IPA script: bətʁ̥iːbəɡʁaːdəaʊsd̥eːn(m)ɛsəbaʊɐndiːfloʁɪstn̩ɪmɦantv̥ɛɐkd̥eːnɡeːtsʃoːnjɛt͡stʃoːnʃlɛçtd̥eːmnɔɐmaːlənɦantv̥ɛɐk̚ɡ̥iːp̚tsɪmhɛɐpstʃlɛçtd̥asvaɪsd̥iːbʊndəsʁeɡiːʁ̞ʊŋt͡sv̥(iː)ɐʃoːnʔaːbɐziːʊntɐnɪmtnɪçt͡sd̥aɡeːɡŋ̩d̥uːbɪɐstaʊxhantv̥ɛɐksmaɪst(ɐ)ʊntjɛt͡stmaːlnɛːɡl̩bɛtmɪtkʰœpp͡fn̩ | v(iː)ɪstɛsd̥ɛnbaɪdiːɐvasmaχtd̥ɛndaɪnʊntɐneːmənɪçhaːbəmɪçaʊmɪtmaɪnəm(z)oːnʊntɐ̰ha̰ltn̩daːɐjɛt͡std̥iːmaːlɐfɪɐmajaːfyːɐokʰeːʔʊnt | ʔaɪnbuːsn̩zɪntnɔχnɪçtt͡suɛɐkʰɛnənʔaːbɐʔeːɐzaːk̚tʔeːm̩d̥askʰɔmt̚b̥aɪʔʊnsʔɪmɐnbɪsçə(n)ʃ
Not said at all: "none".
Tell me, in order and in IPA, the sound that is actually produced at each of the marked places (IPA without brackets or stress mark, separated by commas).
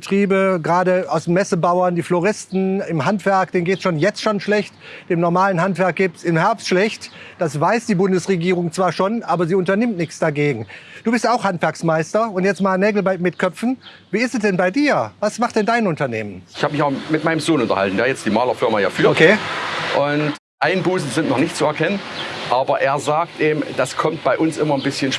m, aː, ɐ, iː, z, n